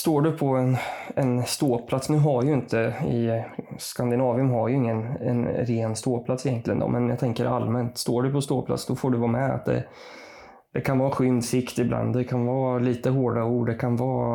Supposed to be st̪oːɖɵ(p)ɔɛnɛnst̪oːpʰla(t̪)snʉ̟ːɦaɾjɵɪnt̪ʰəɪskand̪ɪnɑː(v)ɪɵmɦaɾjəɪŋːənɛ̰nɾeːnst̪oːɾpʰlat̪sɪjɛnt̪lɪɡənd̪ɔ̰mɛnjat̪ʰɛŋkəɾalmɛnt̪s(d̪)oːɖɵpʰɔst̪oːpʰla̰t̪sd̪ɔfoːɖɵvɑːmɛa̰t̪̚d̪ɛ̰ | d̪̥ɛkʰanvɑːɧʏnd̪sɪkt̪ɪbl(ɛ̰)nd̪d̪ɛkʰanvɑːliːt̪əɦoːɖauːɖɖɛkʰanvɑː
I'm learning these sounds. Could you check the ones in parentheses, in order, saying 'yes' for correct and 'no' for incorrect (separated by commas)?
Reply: no, yes, yes, no, no